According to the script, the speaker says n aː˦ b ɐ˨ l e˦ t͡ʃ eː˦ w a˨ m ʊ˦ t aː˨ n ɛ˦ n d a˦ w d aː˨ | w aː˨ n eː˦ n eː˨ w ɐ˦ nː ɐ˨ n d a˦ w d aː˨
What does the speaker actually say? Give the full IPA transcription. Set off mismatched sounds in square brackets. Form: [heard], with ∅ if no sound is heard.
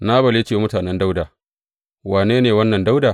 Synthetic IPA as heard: n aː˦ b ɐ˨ l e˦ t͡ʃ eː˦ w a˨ m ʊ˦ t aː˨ n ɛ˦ n d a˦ w d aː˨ | w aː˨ n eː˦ n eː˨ w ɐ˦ nː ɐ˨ n d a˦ w d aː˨

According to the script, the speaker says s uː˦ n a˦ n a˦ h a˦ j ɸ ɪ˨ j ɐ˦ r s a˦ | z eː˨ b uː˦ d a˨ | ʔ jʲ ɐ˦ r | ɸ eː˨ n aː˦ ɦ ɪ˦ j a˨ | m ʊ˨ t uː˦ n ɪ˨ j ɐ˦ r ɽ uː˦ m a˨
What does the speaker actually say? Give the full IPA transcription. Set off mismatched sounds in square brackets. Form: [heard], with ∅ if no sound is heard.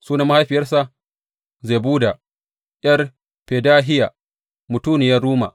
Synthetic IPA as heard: s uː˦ n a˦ [m] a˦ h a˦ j ɸ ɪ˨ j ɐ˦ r s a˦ | z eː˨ b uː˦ d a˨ | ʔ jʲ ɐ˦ r | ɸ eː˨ [d] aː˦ ɦ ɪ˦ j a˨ | m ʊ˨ t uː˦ n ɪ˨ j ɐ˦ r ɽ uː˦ m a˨

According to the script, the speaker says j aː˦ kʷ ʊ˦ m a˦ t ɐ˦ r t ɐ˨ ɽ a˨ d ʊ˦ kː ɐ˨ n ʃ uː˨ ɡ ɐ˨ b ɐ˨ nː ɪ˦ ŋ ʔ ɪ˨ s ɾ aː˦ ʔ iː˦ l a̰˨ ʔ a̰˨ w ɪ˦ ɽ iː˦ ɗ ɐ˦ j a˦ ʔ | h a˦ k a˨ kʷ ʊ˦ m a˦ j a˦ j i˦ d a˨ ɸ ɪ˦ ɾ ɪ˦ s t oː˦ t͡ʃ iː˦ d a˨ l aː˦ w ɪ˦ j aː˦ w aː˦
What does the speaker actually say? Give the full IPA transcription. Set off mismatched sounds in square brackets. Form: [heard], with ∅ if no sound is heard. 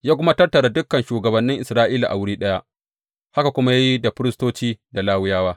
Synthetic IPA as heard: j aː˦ kʷ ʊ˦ m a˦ t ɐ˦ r t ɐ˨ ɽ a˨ d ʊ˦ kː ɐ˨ n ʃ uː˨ ɡ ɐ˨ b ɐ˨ nː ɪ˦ ŋ ʔ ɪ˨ s ɾ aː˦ ʔ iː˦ l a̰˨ ʔ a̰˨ w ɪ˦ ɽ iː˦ ɗ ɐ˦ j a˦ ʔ | h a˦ k a˨ kʷ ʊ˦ m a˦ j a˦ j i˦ d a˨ ɸ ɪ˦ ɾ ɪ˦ s t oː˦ t͡ʃ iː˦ d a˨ l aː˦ w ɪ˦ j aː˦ w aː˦

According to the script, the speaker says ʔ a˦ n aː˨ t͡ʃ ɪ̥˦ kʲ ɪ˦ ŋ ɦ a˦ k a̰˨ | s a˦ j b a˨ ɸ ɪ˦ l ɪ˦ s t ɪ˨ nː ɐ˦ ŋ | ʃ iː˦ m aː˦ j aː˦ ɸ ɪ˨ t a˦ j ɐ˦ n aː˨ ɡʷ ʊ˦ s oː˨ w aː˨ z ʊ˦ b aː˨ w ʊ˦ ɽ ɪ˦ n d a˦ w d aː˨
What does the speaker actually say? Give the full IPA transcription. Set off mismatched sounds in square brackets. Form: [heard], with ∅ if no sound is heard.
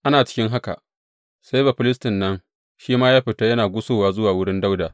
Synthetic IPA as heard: ʔ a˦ n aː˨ t͡ʃ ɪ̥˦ kʲ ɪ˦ ŋ ɦ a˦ k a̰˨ | s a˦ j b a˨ ɸ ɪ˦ l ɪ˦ s t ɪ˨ nː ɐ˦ ŋ | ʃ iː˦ m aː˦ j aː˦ ɸ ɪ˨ t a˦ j ɐ˦ n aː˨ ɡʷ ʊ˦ s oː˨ w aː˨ z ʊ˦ [w] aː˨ w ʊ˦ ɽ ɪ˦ n d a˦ w d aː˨

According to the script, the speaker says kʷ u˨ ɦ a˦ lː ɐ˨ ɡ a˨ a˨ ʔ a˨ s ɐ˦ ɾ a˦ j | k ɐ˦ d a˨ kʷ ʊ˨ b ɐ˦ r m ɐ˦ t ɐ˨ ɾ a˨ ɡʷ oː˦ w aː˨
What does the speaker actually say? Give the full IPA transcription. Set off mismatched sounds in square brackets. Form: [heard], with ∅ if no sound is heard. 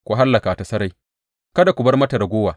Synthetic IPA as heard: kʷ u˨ ɦ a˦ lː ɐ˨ [k] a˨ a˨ [t] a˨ s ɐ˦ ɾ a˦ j | k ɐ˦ d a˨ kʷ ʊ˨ b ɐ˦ r m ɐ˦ t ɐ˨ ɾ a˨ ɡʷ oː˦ w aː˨

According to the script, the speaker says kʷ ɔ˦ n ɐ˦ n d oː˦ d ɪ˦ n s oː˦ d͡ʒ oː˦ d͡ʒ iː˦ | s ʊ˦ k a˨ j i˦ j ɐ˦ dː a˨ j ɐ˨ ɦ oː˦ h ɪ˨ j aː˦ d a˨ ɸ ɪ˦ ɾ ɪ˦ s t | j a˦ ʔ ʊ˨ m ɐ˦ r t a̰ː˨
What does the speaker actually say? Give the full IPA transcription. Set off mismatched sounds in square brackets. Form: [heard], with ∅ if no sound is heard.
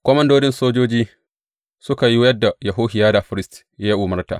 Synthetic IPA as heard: kʷ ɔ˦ [m] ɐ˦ n d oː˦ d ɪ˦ n s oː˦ d͡ʒ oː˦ d͡ʒ iː˦ | s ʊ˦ k a˨ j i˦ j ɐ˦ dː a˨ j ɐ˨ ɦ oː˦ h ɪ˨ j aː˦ d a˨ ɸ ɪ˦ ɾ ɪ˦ s t | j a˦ ʔ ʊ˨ m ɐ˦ r t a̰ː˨

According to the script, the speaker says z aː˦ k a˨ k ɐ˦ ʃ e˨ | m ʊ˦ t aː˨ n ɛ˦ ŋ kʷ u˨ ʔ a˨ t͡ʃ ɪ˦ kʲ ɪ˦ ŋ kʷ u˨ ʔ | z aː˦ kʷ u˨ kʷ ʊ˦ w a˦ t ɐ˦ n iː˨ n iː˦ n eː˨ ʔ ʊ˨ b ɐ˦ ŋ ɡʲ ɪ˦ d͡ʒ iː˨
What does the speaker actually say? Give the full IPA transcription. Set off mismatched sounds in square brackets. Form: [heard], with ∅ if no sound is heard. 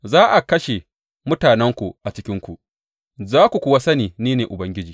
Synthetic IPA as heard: z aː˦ [ʔ] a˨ k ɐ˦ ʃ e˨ | m ʊ˦ t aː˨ n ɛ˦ ŋ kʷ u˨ ʔ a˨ t͡ʃ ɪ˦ kʲ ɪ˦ ŋ kʷ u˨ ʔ | z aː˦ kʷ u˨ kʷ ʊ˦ w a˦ [s] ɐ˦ n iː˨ n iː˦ n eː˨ ʔ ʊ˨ b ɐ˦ ŋ ɡʲ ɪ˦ d͡ʒ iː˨

